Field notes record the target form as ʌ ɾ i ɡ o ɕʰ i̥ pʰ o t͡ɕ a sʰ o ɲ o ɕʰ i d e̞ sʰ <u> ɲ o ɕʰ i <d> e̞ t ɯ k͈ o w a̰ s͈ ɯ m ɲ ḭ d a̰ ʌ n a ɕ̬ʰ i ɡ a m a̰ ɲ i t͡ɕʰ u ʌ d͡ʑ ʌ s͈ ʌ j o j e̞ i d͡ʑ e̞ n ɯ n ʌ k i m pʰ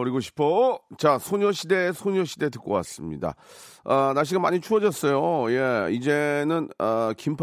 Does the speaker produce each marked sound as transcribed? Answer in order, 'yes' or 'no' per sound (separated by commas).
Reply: no, yes